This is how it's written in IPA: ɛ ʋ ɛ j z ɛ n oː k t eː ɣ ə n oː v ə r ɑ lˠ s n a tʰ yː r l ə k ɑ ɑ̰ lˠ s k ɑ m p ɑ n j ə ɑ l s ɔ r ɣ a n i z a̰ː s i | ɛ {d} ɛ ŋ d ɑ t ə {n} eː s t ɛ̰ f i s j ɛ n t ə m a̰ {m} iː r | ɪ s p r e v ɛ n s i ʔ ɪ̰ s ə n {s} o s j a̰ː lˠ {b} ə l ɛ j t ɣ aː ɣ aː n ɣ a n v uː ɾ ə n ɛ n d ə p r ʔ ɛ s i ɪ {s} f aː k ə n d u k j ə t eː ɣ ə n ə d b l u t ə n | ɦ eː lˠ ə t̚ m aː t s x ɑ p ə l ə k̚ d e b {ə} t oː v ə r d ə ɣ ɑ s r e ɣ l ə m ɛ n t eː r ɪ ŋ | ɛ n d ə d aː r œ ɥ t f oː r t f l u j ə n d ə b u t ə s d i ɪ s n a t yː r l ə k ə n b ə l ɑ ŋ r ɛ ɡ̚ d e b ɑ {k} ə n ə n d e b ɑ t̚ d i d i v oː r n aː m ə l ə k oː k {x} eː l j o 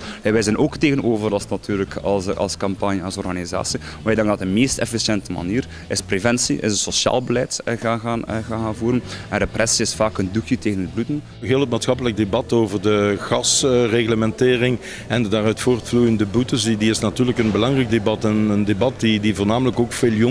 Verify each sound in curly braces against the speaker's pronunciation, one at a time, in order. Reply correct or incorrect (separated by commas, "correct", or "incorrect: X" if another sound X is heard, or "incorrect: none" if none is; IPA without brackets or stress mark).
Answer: correct, incorrect: m, incorrect: n, correct, correct, correct, incorrect: ɑ, incorrect: t, incorrect: f